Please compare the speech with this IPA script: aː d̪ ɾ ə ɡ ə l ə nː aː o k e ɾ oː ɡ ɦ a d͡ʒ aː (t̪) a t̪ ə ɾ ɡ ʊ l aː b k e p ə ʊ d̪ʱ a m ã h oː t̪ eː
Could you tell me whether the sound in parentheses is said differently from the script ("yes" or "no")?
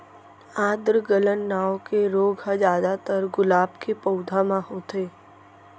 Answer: yes